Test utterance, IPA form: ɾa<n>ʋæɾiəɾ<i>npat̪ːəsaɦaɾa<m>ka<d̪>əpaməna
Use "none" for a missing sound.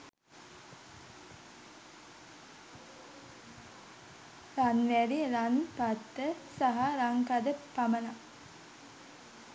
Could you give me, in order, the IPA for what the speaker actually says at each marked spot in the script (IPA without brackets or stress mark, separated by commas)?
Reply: n, a, ŋ, d̪